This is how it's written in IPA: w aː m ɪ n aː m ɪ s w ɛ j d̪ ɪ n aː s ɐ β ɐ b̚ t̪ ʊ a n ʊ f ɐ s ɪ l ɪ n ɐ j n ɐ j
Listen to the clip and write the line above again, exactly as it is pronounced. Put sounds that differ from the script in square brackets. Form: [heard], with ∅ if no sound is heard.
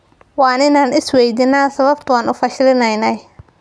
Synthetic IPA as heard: w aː [n] ɪ n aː [n] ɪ s w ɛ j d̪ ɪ n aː s ɐ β ɐ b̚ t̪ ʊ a n ʊ f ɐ [ʃ] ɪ l ɪ n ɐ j n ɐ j